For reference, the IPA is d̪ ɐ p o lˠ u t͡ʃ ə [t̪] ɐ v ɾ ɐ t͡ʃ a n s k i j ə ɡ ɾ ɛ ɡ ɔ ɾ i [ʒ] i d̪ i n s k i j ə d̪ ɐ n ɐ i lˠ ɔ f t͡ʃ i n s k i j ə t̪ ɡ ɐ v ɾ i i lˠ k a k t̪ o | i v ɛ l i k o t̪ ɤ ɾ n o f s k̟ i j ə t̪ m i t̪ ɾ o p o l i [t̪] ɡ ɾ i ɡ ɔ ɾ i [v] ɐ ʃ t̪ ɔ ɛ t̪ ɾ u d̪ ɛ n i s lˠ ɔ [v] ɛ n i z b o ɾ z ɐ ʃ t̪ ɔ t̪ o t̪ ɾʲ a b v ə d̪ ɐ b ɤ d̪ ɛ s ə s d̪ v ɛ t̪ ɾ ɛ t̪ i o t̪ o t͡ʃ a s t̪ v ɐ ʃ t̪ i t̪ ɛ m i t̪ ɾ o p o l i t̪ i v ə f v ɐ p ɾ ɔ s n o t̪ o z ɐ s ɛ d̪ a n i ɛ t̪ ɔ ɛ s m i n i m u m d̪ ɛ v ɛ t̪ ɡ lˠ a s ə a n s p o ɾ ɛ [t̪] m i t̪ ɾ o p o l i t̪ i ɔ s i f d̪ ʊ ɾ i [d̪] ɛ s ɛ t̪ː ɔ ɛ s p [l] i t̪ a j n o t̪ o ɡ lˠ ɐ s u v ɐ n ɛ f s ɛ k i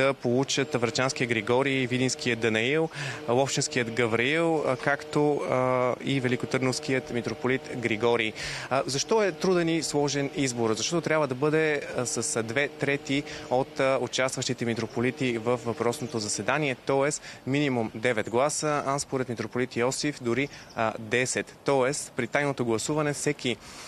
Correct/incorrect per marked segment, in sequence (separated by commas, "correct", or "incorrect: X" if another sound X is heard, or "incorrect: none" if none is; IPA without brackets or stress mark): correct, incorrect: v, correct, incorrect: z, incorrect: ʒ, correct, correct, incorrect: ɾ